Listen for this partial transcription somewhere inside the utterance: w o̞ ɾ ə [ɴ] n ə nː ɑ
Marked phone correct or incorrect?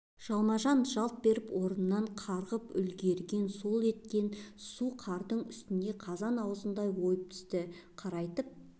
incorrect: none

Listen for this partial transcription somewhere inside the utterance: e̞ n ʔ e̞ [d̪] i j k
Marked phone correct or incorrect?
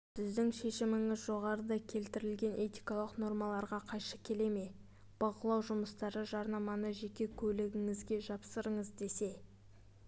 incorrect: t̪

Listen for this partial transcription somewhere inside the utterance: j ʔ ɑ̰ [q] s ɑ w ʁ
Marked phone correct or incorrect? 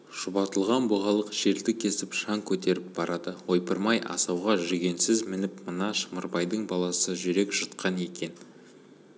incorrect: none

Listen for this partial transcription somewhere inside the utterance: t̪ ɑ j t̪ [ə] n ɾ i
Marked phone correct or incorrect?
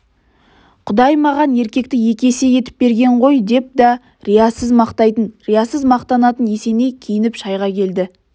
correct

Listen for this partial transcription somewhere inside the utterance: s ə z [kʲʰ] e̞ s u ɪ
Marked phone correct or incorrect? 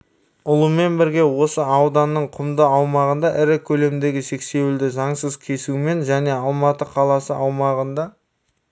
correct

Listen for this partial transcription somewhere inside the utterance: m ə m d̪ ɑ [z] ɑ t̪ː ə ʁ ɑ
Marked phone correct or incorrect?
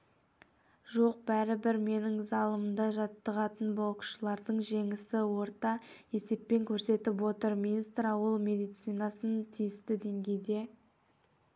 incorrect: ʒ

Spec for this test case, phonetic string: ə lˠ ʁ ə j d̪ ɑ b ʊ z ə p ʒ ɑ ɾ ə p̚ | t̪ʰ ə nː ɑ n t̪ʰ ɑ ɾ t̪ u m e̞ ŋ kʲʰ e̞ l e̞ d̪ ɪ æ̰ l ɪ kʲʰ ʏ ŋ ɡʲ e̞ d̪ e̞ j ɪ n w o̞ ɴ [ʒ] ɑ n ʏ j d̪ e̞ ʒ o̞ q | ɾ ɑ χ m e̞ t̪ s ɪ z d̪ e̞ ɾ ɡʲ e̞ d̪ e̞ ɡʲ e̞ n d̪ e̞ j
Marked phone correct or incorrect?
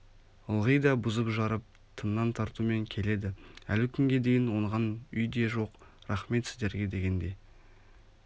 incorrect: ʁ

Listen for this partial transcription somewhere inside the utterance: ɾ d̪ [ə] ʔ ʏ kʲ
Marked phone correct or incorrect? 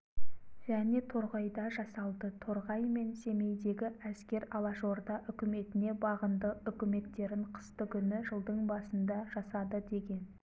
incorrect: ɑ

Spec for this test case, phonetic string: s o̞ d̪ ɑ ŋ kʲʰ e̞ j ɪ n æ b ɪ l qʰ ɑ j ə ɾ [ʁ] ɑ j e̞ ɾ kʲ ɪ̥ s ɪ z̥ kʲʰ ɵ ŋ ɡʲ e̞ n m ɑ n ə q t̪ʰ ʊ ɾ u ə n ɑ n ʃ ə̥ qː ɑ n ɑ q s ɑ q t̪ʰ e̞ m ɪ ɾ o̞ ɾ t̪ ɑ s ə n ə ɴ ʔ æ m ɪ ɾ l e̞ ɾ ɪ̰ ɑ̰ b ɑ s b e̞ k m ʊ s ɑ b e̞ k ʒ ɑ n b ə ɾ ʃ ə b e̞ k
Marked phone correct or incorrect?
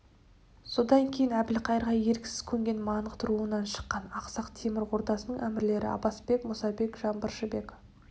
correct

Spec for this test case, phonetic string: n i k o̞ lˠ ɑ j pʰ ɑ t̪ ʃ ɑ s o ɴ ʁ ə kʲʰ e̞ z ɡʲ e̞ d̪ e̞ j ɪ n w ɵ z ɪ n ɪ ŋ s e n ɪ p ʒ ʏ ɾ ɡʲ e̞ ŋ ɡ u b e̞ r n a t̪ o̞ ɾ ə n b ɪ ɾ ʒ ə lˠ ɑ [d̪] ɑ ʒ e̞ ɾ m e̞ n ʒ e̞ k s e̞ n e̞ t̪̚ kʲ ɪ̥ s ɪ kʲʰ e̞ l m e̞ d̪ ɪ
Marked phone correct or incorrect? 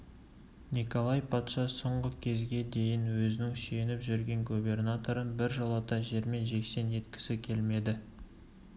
incorrect: t̪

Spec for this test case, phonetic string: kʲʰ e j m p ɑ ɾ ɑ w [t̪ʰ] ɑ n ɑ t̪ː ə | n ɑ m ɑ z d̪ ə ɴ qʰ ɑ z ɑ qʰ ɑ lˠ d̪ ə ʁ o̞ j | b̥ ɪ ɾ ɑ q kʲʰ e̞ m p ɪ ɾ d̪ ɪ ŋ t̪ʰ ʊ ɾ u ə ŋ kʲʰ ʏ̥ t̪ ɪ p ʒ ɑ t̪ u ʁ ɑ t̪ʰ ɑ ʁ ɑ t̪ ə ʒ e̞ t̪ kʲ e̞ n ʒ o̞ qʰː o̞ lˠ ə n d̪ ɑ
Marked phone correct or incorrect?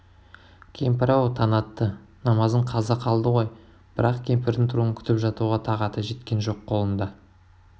correct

